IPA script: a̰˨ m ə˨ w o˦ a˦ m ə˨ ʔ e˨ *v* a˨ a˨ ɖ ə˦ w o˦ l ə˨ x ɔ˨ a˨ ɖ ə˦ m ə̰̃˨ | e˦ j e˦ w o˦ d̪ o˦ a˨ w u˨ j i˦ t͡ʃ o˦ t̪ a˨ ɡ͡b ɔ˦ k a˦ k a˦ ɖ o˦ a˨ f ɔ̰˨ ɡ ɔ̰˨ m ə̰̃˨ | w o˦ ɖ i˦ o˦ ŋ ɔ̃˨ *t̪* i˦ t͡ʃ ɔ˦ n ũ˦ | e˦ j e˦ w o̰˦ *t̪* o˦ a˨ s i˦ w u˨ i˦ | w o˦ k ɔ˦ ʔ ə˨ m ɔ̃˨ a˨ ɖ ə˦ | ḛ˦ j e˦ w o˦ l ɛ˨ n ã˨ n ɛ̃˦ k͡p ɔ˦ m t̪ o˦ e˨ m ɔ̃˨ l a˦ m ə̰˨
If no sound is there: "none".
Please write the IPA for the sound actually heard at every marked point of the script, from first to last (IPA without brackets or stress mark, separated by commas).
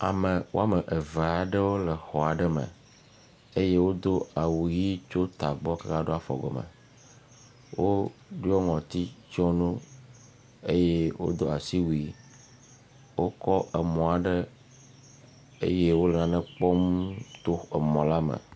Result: v, t̪, d̪